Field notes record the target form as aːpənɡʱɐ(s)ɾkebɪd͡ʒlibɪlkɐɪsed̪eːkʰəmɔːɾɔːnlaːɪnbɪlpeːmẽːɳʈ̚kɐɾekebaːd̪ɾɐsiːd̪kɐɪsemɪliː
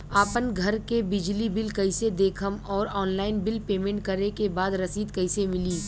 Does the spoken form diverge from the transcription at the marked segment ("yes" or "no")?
yes